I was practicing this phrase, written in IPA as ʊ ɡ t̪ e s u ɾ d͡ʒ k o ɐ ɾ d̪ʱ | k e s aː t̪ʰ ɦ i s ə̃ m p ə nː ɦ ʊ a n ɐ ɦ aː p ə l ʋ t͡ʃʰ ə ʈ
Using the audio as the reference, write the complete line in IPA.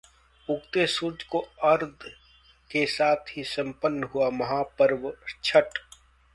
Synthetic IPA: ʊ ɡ t̪ e s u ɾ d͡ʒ k o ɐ ɾ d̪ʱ | k e s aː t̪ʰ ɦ i s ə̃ m p ə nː ɦ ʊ a m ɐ ɦ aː p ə ɾ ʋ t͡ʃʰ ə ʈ

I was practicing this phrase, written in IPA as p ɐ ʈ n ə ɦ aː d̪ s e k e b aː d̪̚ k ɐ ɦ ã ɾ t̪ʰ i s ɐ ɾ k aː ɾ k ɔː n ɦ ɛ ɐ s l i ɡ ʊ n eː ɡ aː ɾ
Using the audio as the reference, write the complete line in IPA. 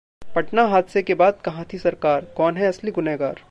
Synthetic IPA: p ɐ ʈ n a ɦ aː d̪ s e k e b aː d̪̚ k ɐ ɦ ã t̪ʰ i s ɐ ɾ k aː ɾ k ɔː n ɦ ɛ ɐ s l i ɡ ʊ n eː ɡ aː ɾ

